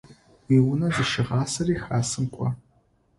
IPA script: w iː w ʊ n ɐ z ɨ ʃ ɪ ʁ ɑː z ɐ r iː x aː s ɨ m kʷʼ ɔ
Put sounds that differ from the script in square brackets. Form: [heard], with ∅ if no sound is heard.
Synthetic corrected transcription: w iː w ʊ n ɐ z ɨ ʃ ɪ ʁ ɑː [s] ɐ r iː x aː s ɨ m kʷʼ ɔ